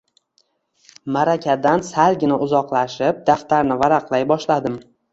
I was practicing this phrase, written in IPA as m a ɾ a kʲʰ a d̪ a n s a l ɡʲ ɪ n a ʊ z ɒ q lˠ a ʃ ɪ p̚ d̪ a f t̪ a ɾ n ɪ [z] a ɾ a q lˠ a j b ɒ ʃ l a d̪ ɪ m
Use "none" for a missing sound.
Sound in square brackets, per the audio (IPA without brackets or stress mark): v